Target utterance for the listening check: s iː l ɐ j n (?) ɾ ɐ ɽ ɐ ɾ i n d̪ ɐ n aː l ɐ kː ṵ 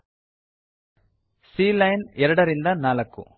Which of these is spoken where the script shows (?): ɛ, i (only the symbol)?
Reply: ɛ